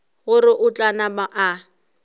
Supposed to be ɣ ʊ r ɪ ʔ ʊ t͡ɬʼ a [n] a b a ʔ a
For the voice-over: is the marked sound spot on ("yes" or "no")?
yes